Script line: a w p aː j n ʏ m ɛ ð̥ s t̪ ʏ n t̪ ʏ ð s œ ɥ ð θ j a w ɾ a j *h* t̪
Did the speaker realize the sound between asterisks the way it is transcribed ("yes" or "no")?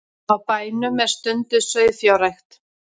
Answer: no